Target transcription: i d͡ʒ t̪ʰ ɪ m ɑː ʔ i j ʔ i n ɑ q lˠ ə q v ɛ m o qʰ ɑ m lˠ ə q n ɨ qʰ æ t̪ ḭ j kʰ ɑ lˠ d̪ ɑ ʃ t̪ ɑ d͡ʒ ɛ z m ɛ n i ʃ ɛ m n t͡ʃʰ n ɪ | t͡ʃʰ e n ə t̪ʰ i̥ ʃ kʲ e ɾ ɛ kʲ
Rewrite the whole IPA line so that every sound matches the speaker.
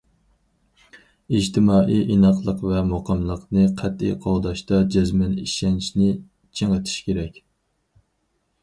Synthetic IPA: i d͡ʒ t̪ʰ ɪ m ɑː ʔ i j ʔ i n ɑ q lˠ ə q v ɛ m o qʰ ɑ m lˠ ə q n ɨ qʰ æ t̪ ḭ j qʰ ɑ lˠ d̪ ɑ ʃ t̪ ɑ d͡ʒ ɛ z m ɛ n i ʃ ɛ n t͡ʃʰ n ɪ | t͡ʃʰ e ŋ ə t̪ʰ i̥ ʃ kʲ e ɾ ɛ kʲ